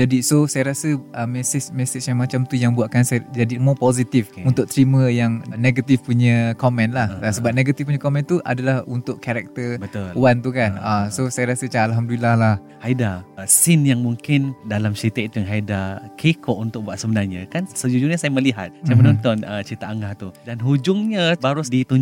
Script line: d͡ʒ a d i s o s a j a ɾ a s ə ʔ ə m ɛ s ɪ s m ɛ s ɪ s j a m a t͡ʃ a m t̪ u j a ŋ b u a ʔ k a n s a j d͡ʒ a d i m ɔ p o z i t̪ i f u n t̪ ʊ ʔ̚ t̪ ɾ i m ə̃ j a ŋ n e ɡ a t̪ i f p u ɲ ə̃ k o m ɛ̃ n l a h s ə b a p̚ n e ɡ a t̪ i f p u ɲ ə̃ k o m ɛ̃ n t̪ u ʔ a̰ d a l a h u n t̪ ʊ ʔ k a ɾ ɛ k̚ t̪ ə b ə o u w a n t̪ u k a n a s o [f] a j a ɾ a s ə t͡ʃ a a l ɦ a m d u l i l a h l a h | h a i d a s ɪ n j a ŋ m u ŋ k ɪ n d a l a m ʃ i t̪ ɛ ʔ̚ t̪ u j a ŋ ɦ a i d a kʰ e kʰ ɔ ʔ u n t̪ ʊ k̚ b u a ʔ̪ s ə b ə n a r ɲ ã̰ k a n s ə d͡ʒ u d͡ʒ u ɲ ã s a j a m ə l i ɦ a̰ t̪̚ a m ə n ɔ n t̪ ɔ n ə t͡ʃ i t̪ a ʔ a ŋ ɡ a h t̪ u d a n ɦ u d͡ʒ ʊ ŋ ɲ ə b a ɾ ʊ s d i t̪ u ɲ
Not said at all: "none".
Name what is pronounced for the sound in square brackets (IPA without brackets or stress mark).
s